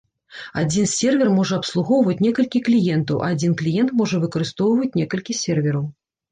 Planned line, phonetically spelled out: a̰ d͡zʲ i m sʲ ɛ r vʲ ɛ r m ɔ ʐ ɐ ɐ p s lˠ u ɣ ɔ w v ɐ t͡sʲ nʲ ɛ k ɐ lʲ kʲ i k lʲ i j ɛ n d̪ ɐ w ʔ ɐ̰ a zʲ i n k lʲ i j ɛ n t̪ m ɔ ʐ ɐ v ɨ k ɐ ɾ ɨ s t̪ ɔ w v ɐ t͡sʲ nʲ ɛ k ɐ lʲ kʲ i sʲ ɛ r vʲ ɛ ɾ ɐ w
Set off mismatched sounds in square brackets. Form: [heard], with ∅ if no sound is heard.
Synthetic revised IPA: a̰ d͡zʲ i [n] sʲ ɛ r vʲ ɛ r m ɔ ʐ ɐ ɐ p s lˠ u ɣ ɔ w v ɐ t͡sʲ nʲ ɛ k ɐ lʲ kʲ i k lʲ i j ɛ n [t̪] ɐ w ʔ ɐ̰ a [d͡zʲ] i n k lʲ i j ɛ n t̪ m ɔ ʐ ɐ v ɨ k ɐ ɾ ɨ s t̪ ɔ w v ɐ t͡sʲ nʲ ɛ k ɐ lʲ kʲ i sʲ ɛ r vʲ ɛ ɾ ɐ w